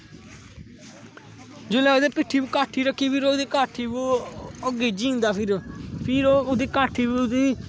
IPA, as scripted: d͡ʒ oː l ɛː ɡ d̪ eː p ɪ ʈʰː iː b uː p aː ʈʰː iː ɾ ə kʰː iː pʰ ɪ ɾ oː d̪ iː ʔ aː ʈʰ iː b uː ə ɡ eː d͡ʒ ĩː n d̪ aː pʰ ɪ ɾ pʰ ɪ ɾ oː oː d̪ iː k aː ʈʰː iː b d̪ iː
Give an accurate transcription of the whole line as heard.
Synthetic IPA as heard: d͡ʒ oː l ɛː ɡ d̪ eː p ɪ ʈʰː iː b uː k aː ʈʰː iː ɾ ə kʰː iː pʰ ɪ ɾ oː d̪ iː k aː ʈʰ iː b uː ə ɡ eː d͡ʒ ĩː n d̪ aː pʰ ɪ ɾ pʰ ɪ ɾ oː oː d̪ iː k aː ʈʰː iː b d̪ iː